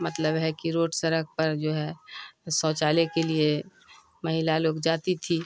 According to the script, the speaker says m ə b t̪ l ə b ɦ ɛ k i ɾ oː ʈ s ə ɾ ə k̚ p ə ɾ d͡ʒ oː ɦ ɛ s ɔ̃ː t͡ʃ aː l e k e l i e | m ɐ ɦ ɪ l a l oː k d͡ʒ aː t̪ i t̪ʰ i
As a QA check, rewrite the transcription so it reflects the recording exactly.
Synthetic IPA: m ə t̪ l ə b ɦ ɛ k i ɾ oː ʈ s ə ɾ ə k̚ p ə ɾ d͡ʒ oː ɦ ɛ s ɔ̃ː t͡ʃ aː l e k e l i e | m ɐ ɦ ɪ l a l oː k d͡ʒ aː t̪ i t̪ʰ i